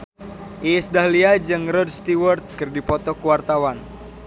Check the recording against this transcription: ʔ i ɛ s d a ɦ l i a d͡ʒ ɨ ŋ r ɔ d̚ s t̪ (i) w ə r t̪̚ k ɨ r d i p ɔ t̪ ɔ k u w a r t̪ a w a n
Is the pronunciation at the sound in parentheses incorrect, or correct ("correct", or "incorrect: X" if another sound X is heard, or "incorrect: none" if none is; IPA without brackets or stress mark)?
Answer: correct